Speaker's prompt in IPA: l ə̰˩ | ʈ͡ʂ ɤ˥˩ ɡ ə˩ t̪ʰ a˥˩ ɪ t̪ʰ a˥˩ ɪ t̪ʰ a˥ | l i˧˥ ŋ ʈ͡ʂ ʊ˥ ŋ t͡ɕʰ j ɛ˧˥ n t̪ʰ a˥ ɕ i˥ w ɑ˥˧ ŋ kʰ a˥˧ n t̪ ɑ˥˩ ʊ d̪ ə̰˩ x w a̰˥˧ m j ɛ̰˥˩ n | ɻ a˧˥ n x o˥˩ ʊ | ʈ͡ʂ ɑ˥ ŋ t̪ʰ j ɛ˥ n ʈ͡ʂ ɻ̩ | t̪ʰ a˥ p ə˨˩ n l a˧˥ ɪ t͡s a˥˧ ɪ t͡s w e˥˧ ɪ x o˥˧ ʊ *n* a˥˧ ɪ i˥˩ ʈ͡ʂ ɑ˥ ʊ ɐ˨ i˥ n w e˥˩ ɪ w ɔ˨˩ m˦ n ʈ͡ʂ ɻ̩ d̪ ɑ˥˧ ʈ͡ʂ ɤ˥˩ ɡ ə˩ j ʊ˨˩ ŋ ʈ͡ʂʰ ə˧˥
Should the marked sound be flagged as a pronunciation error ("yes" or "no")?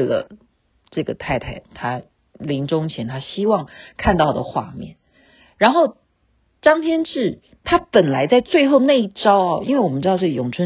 no